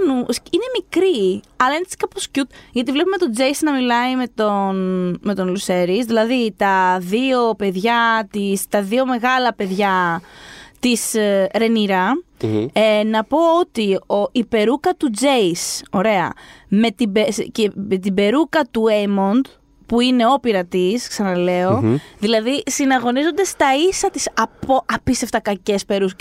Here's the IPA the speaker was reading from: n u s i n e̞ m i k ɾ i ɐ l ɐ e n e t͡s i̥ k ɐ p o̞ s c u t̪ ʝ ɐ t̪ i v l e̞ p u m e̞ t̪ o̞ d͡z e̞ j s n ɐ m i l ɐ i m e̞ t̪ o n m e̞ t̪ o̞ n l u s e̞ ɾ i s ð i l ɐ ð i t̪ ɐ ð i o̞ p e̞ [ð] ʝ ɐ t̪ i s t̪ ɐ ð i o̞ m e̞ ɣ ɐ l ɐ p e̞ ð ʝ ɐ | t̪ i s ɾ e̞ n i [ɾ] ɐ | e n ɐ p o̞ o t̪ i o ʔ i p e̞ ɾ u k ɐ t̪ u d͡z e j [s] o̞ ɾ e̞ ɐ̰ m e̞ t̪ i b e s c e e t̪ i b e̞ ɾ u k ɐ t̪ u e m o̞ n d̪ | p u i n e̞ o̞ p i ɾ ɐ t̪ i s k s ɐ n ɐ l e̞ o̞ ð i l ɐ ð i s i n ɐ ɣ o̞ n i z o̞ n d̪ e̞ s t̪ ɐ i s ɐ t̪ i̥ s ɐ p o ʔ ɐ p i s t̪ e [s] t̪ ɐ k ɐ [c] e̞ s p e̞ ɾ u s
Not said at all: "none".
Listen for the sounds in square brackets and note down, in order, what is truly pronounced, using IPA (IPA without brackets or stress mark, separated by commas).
ð, ɾ, s, f, c